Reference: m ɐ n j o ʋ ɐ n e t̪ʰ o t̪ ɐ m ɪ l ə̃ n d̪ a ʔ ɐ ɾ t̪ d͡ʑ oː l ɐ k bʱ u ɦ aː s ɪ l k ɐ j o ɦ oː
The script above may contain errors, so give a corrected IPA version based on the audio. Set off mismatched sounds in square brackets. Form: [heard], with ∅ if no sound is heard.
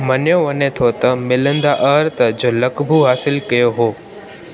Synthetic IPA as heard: m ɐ n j o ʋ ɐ n e t̪ʰ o t̪ ɐ m ɪ l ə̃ n d̪ a ʔ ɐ ɾ t̪ d͡ʑ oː l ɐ k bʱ u ɦ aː s ɪ l k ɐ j o ɦ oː